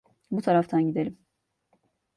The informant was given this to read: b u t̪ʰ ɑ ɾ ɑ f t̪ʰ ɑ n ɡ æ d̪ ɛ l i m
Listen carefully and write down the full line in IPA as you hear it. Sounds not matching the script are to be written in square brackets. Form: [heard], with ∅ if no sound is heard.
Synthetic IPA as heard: b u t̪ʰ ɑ ɾ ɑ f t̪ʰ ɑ n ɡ [i] d̪ ɛ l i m